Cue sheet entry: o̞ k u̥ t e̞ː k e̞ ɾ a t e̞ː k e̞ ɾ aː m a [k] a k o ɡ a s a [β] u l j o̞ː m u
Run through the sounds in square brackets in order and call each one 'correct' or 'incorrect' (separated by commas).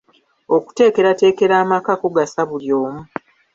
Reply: correct, correct